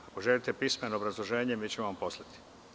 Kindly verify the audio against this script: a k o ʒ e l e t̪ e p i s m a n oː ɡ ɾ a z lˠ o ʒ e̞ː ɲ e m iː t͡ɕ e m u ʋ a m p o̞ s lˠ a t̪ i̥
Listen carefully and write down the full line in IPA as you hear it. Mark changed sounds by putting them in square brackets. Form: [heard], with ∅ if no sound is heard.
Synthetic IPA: a k o ʒ e l [i] t̪ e p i s m [e] n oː [b] ɾ a z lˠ o ʒ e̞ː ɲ e m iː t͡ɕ e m [o] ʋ a m p o̞ s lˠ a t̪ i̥